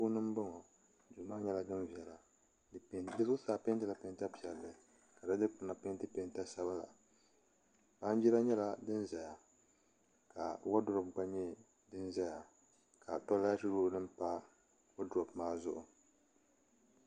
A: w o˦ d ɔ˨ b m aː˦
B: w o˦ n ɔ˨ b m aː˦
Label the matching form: A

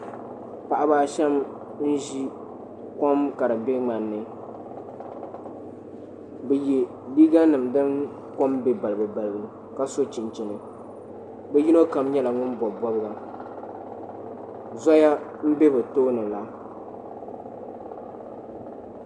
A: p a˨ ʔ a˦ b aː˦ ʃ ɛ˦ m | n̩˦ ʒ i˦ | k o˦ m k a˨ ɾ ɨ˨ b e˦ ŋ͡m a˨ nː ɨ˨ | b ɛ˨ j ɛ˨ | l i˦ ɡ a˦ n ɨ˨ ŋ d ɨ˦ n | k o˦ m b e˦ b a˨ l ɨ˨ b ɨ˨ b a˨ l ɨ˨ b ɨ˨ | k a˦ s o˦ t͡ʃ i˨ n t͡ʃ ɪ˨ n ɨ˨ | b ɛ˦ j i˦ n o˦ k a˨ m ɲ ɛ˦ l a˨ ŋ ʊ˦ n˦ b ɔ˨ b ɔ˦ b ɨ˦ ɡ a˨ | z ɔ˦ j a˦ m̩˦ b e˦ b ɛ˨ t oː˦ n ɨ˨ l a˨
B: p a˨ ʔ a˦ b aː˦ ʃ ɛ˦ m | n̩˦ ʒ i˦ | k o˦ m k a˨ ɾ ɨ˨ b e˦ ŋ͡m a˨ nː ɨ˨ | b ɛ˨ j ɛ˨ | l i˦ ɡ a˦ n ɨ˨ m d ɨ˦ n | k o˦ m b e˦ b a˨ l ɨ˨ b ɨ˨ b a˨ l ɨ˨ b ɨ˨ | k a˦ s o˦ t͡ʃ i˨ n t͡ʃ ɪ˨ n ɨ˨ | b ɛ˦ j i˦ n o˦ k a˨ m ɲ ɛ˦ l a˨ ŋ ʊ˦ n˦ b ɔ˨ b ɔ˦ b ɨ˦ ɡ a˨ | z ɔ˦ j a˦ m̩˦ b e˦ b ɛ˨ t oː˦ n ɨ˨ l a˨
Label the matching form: B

